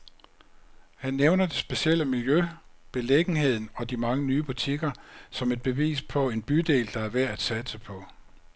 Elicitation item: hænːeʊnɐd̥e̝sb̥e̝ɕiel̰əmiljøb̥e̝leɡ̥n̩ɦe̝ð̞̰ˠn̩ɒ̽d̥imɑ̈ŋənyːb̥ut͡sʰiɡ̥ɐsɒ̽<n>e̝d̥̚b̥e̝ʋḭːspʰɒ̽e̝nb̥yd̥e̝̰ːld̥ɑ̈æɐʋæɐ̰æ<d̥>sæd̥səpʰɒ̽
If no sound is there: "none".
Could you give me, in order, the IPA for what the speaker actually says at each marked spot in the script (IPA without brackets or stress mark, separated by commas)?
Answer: m, d̥